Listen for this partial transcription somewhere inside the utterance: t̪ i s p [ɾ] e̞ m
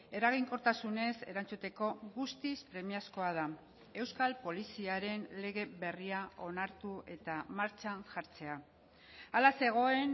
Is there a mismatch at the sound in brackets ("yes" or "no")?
no